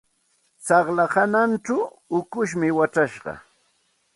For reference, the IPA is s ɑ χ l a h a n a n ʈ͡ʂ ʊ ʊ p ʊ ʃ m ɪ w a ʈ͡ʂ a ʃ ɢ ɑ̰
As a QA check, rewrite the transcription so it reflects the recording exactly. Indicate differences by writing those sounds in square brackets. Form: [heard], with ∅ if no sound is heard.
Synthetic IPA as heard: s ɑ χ l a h a n a n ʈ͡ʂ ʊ ʊ [k] ʊ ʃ m ɪ w a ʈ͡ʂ a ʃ ɢ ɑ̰